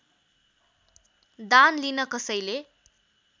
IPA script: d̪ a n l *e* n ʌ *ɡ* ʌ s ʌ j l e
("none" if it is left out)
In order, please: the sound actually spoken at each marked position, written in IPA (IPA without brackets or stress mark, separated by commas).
i, k